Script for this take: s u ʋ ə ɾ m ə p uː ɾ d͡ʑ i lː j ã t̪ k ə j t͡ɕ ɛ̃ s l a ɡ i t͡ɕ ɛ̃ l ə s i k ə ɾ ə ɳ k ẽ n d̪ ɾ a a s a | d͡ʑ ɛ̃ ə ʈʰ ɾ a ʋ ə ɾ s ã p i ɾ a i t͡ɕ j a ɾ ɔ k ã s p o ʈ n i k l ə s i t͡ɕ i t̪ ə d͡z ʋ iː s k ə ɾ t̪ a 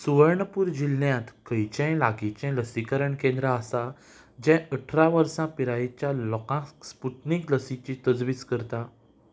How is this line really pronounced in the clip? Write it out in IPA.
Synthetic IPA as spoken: s u ʋ ə ɾ ɳ ə p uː ɾ d͡ʑ i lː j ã t̪ k ə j t͡ɕ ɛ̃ l a ɡ i t͡ɕ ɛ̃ l ə s i k ə ɾ ə ɳ k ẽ n d̪ ɾ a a s a | d͡ʑ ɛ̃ ə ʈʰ ɾ a ʋ ə ɾ s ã p i ɾ a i t͡ɕ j a l ɔ k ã s p u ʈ n i k l ə s i t͡ɕ i t̪ ə d͡z ʋ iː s k ə ɾ t̪ a